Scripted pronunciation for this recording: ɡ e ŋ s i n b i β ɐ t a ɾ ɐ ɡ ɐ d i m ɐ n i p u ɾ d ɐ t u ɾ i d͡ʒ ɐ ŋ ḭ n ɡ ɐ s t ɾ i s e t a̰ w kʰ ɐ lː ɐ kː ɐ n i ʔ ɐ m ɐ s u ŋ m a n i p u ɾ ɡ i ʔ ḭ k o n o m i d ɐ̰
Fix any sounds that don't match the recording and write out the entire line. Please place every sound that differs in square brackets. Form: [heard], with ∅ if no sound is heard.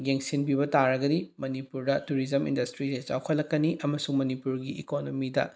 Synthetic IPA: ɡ e ŋ s i n b i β ɐ t a ɾ ɐ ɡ ɐ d i m ɐ n i p u ɾ d ɐ t u ɾ i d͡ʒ ɐ [m] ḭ n [d] ɐ s t ɾ i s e [t͡ʃ] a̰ w kʰ ɐ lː ɐ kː ɐ n i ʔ ɐ m ɐ s u ŋ m [ɐ] n i p u ɾ ɡ i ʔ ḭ k o n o m i d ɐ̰